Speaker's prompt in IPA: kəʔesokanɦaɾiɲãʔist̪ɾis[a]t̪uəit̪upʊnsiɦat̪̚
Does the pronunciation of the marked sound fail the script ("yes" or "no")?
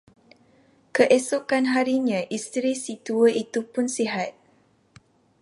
yes